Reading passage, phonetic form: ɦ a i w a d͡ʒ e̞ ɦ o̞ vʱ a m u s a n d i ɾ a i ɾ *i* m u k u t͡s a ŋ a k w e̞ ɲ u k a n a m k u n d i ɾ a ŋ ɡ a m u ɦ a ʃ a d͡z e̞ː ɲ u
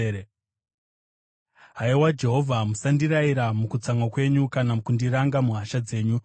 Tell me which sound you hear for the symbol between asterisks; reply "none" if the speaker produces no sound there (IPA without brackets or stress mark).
a